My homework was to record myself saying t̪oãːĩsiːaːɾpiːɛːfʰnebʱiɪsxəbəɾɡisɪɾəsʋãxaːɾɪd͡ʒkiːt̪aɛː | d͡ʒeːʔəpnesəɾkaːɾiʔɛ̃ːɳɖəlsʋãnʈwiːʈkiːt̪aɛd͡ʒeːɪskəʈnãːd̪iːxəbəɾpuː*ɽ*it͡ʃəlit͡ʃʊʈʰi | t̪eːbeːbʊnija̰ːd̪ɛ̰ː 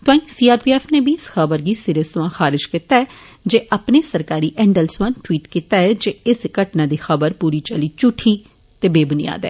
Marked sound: incorrect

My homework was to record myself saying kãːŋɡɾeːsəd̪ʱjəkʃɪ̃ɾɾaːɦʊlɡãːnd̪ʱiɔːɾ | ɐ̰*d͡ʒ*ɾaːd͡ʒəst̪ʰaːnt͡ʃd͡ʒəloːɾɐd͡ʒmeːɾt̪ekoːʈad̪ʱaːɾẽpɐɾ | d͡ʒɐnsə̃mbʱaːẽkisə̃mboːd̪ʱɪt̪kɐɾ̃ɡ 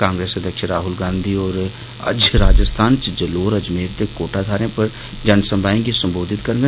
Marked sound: correct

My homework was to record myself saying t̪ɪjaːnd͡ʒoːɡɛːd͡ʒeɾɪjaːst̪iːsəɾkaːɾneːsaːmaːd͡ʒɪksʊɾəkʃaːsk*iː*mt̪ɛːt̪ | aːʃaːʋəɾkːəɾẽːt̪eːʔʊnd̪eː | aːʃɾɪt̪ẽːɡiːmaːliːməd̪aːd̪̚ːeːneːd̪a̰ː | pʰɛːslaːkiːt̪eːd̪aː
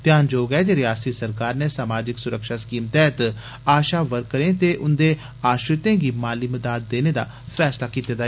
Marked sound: correct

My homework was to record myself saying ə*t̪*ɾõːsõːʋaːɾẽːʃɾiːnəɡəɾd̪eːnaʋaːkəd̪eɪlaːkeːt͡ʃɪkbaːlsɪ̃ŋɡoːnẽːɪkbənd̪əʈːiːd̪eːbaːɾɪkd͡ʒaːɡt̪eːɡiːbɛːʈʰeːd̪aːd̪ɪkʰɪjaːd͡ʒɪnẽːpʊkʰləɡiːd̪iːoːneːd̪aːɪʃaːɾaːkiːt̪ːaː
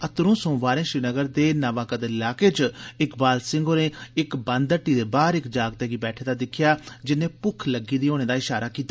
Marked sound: correct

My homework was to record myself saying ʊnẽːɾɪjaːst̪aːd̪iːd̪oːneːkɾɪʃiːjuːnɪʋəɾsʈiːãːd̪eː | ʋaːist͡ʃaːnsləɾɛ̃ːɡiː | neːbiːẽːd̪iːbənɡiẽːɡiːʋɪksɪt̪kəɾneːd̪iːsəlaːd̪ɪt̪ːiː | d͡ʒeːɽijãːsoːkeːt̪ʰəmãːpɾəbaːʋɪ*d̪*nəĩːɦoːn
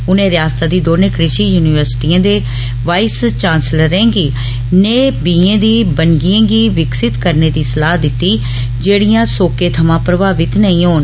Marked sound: incorrect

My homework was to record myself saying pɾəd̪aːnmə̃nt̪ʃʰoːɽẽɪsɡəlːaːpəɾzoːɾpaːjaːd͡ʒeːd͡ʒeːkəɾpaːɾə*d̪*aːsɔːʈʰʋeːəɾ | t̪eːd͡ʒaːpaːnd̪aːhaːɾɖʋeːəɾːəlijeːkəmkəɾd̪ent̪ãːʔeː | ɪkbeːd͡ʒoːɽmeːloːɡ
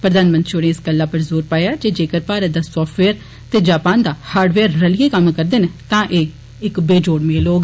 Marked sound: correct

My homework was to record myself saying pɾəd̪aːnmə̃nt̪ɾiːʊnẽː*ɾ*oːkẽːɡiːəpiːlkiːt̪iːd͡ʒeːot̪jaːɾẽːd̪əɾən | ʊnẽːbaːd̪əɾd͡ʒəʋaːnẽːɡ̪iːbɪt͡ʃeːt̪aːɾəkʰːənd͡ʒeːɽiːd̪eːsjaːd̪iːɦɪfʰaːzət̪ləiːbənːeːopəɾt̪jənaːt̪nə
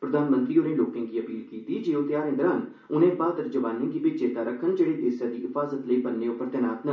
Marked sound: incorrect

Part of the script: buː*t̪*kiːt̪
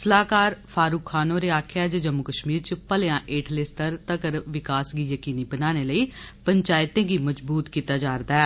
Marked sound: correct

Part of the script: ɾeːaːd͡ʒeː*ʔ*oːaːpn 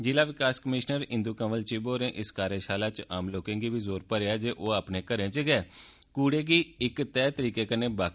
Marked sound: correct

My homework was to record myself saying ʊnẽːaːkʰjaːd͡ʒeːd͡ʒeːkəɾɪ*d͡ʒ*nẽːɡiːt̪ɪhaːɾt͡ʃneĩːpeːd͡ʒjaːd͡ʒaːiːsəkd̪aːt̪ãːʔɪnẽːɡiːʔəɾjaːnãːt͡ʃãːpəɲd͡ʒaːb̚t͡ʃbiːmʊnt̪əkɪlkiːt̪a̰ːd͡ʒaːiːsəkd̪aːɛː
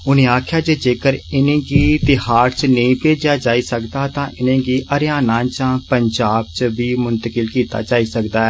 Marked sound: incorrect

